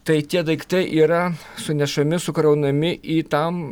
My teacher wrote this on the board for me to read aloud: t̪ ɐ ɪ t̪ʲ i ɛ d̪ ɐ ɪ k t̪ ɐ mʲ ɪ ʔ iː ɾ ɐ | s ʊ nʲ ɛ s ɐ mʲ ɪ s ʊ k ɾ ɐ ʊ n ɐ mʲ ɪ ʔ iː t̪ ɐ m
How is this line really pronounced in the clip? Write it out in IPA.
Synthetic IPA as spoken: t̪ ɐ ɪ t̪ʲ i ɛ d̪ ɐ ɪ k t̪ ɐ ɪ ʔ iː ɾ ɐ | s ʊ nʲ ɛ ʃ ɐ mʲ ɪ s ʊ k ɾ ɐ ʊ n ɐ mʲ ɪ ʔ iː t̪ ɐ m